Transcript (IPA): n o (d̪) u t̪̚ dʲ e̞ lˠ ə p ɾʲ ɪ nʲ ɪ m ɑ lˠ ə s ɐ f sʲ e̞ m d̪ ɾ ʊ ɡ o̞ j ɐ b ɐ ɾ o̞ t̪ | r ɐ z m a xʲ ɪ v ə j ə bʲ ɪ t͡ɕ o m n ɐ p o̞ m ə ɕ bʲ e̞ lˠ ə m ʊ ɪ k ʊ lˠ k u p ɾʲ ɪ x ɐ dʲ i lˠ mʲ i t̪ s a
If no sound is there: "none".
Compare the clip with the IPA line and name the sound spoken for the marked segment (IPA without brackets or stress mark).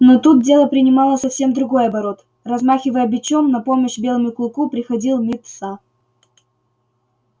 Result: t̪